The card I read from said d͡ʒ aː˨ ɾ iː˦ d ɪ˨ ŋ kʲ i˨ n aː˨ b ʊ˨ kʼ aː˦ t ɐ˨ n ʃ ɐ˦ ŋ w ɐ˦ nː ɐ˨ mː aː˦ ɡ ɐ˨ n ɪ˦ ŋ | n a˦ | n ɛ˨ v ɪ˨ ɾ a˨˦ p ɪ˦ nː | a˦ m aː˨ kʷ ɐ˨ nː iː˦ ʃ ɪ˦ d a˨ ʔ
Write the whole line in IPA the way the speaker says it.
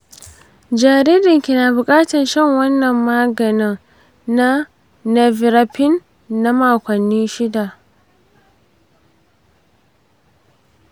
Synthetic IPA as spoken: d͡ʒ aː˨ ɾ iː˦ d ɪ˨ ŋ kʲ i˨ n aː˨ b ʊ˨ kʼ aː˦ t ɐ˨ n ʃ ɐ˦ ŋ w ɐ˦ nː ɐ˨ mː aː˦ ɡ ɐ˨ n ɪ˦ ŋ | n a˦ | n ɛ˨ v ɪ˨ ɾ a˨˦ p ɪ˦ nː | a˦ m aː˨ kʷ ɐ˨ nː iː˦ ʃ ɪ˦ d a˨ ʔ